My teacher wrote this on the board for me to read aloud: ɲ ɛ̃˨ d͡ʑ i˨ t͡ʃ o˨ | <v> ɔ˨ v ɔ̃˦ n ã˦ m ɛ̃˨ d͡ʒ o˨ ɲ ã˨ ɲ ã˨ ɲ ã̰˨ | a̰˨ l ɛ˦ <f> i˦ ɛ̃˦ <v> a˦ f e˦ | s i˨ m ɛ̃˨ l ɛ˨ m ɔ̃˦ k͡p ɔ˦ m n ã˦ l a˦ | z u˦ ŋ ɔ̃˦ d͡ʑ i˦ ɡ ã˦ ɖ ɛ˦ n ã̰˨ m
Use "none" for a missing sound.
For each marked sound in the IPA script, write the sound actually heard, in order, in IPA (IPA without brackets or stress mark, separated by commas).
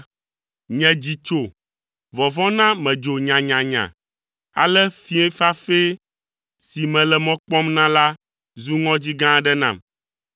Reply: v, f, f